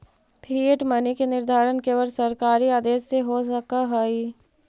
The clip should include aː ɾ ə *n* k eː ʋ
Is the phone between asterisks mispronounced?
no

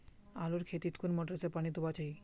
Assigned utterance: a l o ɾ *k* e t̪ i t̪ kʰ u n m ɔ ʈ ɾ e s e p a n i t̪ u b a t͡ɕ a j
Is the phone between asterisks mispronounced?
yes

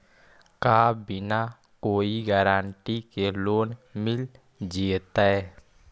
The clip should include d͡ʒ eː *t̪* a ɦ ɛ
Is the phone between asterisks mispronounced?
no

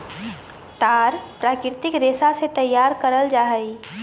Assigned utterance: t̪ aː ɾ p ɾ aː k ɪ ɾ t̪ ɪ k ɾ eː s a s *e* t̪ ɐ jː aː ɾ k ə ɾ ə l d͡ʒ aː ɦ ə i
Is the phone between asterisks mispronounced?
no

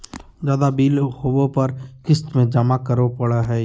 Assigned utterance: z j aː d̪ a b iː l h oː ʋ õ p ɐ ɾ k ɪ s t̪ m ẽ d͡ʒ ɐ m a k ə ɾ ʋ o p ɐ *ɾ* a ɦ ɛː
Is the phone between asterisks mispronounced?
yes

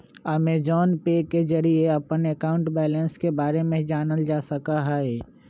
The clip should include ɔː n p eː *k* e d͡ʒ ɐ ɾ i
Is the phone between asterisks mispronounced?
no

